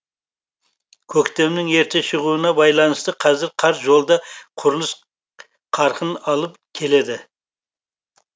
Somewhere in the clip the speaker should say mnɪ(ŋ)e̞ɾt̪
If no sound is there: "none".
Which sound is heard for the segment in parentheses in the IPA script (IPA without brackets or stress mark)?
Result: ŋ